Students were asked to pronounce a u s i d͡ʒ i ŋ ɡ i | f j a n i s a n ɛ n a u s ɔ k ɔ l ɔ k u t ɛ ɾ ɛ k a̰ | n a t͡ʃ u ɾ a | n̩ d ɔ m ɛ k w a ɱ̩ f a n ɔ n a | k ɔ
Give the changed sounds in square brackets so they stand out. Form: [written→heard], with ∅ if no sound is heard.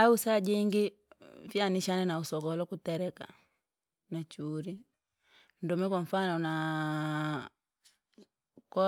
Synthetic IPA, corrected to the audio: a u s [i→a] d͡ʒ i ŋ ɡ i | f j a n i [s→ʃ] a n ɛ n a u s ɔ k ɔ l ɔ k u t ɛ ɾ ɛ k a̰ | n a t͡ʃ u ɾ [a→i] | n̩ d ɔ m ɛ k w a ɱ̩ f a n ɔ n a | k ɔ

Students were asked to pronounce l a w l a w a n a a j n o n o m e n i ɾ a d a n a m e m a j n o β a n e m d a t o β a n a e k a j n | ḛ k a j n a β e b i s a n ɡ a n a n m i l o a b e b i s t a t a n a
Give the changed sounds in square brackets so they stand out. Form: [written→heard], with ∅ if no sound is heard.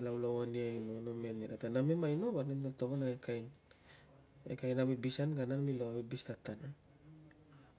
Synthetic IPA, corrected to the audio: l a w l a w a n [a→i] a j n o n o m e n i ɾ a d a n a m e m a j n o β a n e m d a t o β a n a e k a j n | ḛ k a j n a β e b i s a n ɡ a n a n m i l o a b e b i s t a t a n a

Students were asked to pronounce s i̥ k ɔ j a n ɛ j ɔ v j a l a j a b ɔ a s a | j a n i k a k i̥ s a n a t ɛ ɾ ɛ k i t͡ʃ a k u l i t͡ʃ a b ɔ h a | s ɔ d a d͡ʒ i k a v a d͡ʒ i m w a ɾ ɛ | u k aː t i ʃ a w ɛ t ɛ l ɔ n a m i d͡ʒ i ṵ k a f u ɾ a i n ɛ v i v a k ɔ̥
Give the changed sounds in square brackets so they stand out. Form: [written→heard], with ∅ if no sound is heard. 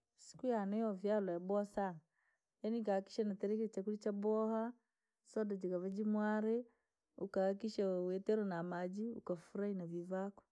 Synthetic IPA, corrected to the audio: s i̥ k [ɔ→u] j a n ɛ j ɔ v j a l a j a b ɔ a s a | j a n i k a k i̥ [s→ʃ] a n a t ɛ ɾ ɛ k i t͡ʃ a k u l i t͡ʃ a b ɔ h a | s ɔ d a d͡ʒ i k a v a d͡ʒ i m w a ɾ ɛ | u k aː [t→k] i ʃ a w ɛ t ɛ [l→ɾ] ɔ n a m [i→a] d͡ʒ i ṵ k a f u ɾ a i n [ɛ→a] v i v a k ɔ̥

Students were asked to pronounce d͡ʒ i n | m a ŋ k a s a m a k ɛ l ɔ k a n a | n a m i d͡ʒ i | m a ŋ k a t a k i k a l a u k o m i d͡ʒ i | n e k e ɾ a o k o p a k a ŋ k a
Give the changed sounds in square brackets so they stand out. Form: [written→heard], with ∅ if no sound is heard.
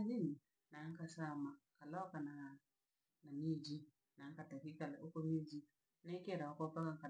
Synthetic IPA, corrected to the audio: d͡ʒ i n | [m→n] a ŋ k a s a m a k [ɛ→a] l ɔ k a n a | n a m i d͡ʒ i | [m→n] a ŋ k a t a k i k a l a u k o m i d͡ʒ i | n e k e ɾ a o k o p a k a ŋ k a

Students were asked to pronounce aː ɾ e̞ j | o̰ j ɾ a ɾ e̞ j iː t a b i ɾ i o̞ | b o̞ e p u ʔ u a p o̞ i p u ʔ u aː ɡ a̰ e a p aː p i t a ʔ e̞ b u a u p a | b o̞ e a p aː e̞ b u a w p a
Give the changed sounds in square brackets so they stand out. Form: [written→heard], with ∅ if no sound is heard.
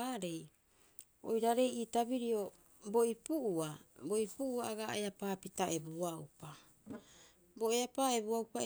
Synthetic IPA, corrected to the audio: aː ɾ e̞ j | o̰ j ɾ a ɾ e̞ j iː t a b i ɾ i o̞ | b o̞ [e→i] p u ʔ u a [p→b] o̞ i p u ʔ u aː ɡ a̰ e a p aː p i t a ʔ e̞ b u a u p a | b o̞ e a p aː e̞ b u a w p a

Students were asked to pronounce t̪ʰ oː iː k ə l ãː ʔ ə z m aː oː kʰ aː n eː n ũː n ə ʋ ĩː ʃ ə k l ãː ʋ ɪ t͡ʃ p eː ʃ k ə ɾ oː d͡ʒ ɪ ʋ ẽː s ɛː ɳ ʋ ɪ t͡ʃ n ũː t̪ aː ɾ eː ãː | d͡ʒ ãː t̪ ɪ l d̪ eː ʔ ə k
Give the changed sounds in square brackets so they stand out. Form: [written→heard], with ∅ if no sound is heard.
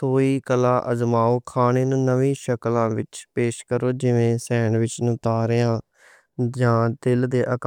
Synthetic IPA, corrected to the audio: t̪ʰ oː iː k ə l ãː ʔ ə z m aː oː kʰ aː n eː n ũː n ə ʋ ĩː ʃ ə k l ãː ʋ ɪ t͡ʃ p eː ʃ k ə ɾ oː d͡ʒ ɪ ʋ ẽː s ɛː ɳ ʋ ɪ t͡ʃ n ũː t̪ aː ɾ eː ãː | d͡ʒ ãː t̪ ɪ l d̪ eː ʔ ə k

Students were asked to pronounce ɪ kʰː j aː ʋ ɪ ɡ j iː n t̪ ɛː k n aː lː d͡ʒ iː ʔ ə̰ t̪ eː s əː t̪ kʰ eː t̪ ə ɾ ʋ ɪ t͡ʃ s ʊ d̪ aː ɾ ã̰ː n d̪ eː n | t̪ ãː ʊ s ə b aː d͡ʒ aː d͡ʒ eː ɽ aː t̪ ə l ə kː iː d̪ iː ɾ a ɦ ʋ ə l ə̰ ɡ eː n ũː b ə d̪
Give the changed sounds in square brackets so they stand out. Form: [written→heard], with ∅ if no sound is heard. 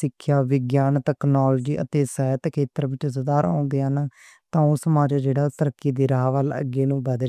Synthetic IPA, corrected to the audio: ɪ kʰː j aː ʋ ɪ ɡ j [iː→aː] n t̪ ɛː k n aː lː d͡ʒ iː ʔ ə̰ t̪ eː s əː t̪ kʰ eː t̪ ə ɾ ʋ ɪ t͡ʃ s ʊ d̪ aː ɾ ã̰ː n d̪ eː n | t̪ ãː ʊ s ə [b→m] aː d͡ʒ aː d͡ʒ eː ɽ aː t̪ ə [l→ɾ] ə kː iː d̪ iː ɾ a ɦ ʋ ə l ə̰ ɡ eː n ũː b ə d̪

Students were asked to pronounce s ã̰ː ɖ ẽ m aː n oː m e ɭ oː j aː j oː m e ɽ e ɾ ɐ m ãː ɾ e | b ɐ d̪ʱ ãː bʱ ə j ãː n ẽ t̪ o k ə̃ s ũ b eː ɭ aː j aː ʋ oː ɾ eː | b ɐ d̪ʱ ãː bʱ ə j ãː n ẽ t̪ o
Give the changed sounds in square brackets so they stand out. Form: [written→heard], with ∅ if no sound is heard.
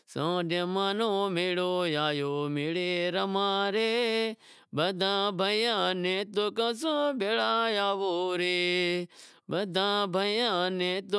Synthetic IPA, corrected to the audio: s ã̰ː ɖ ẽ m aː n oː m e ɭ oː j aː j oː m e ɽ e ɾ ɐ m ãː ɾ e | b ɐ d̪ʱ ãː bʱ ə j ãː n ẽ t̪ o k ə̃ s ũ b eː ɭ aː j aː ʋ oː ɾ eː | b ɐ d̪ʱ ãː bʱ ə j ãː n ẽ t̪ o

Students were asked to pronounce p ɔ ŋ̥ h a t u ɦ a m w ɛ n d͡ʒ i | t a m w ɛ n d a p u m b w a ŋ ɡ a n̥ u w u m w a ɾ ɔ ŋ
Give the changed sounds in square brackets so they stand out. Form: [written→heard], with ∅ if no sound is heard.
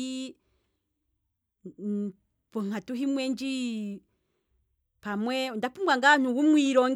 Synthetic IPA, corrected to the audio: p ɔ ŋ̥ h a t u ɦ [a→i] m w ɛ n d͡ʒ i | [t→p] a m w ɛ n d a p u m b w a ŋ ɡ a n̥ u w u m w [a→i] ɾ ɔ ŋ

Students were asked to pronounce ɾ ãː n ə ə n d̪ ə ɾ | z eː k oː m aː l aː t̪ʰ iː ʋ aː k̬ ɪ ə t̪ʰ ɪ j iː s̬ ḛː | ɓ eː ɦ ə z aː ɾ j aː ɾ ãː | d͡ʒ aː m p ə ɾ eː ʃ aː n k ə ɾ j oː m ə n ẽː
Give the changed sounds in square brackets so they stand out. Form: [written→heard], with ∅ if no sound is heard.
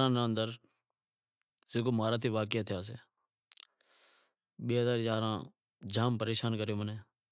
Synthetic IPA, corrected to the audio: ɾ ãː n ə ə n d̪ ə ɾ | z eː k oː m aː [l→ɾ] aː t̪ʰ iː ʋ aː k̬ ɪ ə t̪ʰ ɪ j [iː→aː] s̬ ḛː | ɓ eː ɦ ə z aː ɾ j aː ɾ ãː | d͡ʒ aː m p ə ɾ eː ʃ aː n k ə ɾ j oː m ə n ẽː

